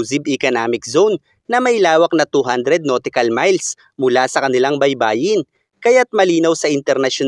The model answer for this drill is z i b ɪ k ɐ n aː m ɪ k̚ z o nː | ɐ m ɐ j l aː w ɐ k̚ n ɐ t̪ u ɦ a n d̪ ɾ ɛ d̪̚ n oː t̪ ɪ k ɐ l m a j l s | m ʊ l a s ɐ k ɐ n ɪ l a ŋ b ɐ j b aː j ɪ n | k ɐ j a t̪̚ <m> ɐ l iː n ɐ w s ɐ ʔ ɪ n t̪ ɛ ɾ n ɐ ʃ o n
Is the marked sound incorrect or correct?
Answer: correct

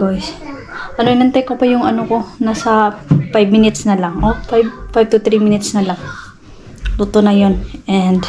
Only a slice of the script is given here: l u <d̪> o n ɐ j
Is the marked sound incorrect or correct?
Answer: incorrect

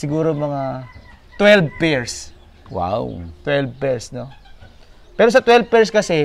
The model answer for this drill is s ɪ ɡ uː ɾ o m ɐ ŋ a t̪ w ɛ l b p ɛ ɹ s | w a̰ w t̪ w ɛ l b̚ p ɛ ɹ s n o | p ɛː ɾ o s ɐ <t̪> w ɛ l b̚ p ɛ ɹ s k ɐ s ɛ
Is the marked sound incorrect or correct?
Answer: correct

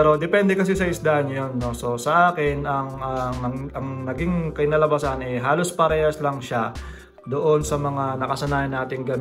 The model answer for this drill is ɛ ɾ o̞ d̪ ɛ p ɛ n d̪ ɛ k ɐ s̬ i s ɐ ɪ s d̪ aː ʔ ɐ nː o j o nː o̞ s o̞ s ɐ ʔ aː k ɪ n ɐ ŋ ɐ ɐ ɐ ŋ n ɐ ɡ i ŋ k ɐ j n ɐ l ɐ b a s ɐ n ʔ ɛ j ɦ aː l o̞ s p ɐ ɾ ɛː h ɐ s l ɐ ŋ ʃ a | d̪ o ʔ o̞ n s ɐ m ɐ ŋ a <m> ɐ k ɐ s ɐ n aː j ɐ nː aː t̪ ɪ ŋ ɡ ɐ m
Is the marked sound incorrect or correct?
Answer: incorrect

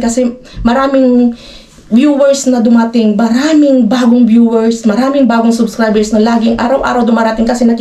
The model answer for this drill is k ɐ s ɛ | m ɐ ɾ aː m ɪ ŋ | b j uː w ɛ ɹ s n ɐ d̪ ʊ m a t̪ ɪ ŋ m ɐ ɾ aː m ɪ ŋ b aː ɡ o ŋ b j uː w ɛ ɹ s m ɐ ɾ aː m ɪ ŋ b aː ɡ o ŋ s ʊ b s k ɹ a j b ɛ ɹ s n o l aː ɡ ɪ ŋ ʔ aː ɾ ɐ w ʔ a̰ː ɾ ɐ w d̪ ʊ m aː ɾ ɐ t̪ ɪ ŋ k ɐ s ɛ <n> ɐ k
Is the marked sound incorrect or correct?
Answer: correct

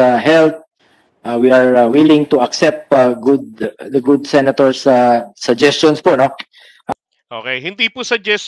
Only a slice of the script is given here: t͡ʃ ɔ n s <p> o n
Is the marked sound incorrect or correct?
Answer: correct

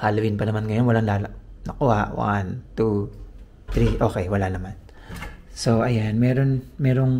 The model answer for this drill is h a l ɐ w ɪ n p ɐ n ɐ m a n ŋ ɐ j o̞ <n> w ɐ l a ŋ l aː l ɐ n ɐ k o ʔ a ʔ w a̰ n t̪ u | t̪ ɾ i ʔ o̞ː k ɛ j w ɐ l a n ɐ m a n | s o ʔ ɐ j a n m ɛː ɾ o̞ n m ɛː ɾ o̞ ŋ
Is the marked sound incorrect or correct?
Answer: correct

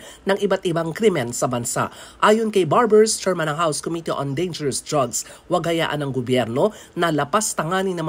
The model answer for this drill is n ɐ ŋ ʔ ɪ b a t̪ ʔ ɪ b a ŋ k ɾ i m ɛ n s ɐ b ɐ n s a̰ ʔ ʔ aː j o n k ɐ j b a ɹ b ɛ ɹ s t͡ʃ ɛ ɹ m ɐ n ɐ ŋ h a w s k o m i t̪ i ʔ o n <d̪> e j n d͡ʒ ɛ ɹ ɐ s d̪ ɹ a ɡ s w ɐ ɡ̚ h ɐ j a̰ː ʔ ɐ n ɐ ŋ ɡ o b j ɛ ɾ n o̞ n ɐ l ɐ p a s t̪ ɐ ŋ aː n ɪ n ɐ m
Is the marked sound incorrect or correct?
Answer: correct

